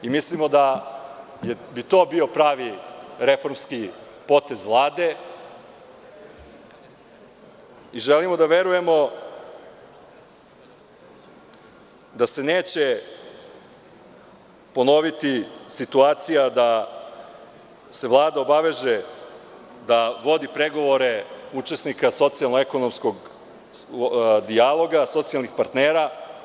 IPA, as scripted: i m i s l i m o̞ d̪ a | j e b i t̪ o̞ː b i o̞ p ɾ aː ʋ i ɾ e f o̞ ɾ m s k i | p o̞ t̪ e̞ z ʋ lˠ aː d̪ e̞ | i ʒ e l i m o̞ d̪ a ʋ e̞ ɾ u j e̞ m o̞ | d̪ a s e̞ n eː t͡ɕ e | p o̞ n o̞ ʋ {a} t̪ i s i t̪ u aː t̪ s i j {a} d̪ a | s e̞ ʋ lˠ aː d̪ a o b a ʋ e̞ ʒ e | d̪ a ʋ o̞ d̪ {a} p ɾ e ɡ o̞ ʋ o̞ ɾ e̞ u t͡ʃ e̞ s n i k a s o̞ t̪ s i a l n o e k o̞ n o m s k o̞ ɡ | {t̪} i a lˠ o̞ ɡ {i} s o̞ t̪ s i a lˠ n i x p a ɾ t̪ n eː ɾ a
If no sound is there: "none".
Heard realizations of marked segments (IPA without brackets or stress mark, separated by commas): i, a, i, d̪, a